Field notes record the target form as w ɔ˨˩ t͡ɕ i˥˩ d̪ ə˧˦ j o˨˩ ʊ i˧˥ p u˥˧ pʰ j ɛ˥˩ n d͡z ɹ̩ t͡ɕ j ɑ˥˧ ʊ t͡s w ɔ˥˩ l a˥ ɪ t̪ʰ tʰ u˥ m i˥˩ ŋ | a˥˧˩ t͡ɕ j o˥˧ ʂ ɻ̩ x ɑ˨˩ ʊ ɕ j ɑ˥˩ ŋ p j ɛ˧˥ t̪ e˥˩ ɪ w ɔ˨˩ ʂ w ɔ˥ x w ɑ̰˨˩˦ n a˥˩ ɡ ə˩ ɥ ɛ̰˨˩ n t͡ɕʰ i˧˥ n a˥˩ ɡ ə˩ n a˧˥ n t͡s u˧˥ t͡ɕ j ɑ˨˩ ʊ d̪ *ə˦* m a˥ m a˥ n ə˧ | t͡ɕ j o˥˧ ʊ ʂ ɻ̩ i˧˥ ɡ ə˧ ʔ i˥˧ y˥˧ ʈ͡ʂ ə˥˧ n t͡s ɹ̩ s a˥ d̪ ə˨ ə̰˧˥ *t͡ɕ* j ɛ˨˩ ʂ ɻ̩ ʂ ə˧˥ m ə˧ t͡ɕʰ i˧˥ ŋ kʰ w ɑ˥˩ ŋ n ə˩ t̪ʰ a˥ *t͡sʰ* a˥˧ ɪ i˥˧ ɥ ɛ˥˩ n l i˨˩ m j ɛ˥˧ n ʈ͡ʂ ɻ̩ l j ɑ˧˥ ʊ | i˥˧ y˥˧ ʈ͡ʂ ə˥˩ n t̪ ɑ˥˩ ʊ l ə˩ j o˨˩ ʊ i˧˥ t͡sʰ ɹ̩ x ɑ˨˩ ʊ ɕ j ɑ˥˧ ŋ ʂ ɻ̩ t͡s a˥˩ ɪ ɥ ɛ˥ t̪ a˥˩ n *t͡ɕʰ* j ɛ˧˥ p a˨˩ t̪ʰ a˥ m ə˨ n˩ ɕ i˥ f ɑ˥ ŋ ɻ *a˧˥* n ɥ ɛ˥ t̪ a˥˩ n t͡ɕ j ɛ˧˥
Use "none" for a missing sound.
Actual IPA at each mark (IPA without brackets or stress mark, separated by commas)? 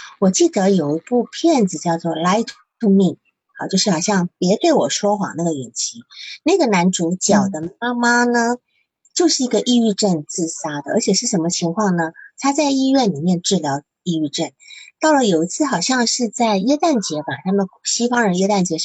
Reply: ə˦, t͡ɕʰ, t͡s, t͡ɕ, ə˧˥